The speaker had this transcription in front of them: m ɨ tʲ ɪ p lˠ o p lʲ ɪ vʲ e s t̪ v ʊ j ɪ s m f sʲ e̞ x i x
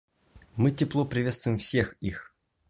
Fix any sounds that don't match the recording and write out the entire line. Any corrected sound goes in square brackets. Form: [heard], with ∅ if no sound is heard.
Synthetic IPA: m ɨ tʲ ɪ p lˠ o p [ɾʲ] ɪ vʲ e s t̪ v ʊ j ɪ [∅] m f sʲ e̞ x i x